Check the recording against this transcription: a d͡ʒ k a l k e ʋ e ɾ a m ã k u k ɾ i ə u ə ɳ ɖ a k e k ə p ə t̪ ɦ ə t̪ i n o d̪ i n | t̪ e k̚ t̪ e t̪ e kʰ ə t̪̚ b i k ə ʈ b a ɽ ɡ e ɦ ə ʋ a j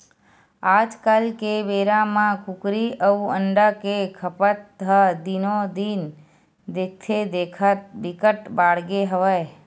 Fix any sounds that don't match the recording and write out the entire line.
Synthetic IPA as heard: a d͡ʒ k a l k e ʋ e ɾ a m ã k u k ɾ i ə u ə ɳ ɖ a k e kʰ ə p ə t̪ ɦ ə d̪ i n o d̪ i n | d̪ e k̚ t̪ʰ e d̪ e kʰ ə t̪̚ b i k ə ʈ b a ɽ ɡ e ɦ ə ʋ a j